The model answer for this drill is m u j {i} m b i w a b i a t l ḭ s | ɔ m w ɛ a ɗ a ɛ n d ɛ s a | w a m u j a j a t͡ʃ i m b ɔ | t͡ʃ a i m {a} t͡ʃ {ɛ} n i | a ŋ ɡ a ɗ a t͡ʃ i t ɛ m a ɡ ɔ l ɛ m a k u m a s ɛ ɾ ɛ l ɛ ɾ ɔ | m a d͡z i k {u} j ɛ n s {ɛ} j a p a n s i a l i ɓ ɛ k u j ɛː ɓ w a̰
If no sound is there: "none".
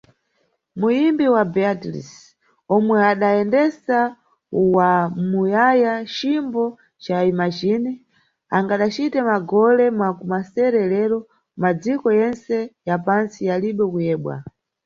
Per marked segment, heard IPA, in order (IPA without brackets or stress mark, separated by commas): i, a, i, ɔ, ɛ